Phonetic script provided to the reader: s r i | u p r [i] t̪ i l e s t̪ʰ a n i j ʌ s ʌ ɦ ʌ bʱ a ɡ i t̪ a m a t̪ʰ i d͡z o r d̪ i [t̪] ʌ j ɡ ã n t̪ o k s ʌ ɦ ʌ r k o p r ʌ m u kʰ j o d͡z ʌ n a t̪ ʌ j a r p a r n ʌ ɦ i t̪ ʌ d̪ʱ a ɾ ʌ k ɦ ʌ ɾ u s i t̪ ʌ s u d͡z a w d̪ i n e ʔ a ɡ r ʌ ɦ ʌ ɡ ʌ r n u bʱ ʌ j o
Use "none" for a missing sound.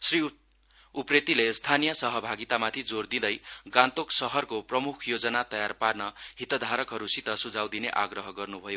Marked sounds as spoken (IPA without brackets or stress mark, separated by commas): e, d̪